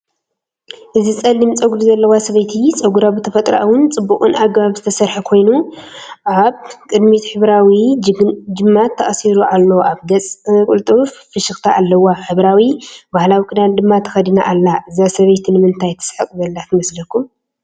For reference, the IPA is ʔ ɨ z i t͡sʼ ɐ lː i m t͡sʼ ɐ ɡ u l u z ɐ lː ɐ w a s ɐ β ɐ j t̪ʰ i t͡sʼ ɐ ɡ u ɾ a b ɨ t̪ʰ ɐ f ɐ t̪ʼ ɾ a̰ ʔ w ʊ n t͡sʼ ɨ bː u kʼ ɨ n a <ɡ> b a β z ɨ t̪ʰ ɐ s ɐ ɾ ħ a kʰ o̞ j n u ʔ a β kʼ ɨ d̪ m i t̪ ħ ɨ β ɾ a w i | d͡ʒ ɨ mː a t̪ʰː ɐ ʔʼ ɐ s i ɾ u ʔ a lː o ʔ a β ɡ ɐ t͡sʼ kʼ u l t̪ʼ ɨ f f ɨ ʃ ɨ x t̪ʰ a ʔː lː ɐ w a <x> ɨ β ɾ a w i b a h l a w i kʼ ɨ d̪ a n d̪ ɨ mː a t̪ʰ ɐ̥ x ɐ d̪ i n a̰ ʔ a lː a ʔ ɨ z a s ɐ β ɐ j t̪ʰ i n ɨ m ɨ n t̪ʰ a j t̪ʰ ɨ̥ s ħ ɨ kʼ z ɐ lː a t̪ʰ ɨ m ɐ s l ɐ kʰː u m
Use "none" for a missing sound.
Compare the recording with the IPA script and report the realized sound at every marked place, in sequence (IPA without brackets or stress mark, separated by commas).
ɡ, ħ